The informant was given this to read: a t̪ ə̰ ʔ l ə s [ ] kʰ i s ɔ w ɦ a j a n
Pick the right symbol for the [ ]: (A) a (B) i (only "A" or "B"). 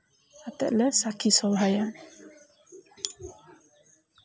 A